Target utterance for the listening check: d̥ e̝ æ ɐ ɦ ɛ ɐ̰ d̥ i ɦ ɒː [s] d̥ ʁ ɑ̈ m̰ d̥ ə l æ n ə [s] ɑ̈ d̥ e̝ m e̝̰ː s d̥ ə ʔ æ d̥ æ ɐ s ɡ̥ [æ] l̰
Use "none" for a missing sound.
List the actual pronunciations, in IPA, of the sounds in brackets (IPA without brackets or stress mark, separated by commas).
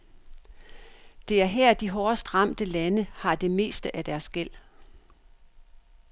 s, h, e